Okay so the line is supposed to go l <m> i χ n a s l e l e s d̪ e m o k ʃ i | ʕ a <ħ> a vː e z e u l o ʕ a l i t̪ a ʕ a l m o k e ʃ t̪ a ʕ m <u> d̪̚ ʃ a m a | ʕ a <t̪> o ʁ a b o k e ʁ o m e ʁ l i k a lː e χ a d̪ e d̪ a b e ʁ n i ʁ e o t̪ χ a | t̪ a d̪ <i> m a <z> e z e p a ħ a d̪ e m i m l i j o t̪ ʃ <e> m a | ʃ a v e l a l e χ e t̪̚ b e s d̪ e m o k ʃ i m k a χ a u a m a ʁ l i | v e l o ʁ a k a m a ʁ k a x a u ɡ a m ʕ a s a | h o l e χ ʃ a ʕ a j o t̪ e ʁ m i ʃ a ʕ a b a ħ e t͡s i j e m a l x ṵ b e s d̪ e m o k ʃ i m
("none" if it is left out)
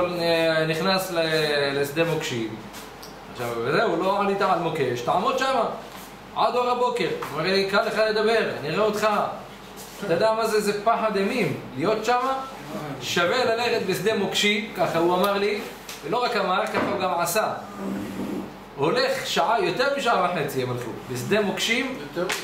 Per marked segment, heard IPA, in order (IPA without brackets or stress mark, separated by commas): n, ʃ, o, d̪, a, z, a